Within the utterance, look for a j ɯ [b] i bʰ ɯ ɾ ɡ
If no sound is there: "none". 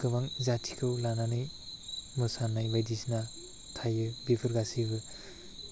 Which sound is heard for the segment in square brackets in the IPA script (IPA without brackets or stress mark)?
b